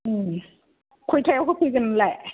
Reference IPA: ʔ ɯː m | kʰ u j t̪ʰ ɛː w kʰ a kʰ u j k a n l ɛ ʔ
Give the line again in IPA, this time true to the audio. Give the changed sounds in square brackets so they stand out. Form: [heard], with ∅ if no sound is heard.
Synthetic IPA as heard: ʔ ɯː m | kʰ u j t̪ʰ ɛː w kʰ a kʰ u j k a n l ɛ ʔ